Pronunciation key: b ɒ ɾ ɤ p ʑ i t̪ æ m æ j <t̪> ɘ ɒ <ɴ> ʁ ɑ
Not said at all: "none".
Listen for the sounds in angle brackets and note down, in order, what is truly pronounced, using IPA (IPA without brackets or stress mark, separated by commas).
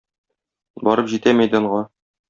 d̪, ɴ